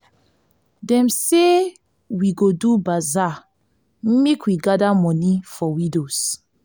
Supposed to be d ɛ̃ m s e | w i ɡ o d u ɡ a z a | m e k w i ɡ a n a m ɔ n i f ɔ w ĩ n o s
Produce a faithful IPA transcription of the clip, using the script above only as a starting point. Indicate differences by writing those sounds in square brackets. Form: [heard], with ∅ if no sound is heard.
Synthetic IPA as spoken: d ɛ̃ m s e | w i ɡ o d u [b] a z a | m e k w i ɡ a [d] a m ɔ n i f ɔ w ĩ [d] o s